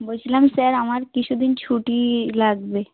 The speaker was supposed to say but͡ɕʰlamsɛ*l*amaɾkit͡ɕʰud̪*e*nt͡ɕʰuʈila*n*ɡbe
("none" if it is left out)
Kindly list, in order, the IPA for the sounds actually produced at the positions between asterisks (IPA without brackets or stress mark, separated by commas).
ɾ, i, none